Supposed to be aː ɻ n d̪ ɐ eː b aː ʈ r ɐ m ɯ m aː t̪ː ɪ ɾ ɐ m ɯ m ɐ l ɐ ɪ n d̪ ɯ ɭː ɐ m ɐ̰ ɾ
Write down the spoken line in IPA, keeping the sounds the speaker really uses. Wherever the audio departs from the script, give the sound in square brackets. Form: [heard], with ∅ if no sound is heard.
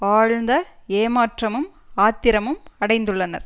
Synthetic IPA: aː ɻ n d̪ ɐ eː [m] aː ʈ r ɐ m ɯ m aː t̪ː ɪ ɾ ɐ m ɯ m ɐ [ɽ] ɐ ɪ n d̪ ɯ ɭː ɐ [n] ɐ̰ ɾ